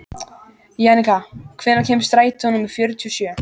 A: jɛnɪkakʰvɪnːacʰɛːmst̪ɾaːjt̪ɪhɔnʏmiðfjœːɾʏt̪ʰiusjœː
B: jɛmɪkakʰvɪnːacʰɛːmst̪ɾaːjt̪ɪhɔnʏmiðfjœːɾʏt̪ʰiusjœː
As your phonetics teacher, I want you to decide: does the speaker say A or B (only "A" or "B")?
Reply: A